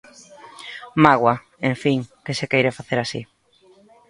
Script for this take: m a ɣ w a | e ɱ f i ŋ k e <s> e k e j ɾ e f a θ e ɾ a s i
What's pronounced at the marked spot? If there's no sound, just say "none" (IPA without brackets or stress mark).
s